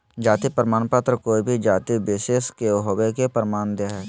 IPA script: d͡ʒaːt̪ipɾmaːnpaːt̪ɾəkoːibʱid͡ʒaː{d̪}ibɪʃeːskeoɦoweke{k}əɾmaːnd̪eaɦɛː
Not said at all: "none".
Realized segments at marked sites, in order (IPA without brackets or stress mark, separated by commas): t̪, p